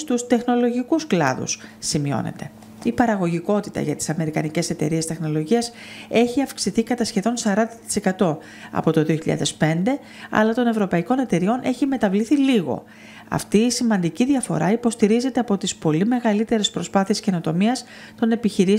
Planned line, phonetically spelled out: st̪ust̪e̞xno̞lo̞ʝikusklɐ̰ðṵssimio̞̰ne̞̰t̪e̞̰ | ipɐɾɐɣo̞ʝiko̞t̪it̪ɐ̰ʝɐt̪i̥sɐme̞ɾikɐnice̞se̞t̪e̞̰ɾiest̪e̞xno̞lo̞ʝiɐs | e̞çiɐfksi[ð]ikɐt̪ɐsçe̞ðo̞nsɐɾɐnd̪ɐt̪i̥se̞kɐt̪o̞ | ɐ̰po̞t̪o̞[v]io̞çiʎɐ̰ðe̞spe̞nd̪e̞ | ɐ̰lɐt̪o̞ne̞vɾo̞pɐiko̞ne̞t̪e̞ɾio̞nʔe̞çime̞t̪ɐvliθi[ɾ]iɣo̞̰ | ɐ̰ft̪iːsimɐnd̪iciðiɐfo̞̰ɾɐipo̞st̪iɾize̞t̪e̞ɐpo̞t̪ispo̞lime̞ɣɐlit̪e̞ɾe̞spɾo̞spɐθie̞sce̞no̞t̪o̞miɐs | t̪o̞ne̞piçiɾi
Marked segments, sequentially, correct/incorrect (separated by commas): incorrect, incorrect, incorrect